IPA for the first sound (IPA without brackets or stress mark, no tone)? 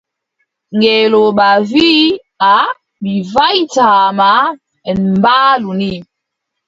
ŋ